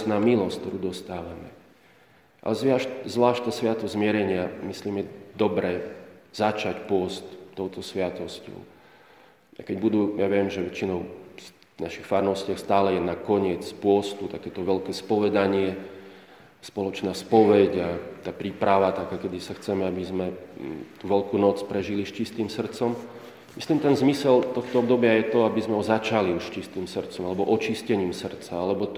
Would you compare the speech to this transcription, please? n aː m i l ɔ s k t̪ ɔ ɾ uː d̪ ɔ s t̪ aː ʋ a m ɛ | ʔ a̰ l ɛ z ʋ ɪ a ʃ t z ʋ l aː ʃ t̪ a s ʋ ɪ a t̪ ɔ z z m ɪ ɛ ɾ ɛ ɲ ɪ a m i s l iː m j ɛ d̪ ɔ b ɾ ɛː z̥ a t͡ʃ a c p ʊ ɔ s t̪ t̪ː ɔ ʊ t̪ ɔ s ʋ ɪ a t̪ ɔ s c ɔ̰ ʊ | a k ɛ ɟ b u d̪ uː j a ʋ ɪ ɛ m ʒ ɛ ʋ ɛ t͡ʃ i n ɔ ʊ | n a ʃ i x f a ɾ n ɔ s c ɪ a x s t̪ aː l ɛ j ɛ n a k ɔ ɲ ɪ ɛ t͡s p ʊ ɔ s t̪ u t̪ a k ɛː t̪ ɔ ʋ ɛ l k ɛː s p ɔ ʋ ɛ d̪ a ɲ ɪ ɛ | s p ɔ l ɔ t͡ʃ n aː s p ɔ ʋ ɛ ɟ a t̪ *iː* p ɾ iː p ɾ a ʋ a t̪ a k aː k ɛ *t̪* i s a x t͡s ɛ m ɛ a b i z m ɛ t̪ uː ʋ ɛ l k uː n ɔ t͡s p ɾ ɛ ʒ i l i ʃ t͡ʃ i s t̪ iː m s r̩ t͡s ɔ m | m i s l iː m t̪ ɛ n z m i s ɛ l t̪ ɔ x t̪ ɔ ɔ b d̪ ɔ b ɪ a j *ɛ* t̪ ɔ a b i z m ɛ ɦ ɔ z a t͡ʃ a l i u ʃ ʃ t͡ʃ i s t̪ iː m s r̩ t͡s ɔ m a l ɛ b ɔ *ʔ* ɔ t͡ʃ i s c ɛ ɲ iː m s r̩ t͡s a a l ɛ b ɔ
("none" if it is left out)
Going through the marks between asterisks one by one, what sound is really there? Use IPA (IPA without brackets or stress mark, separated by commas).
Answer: aː, d̪, ɛ, ʔ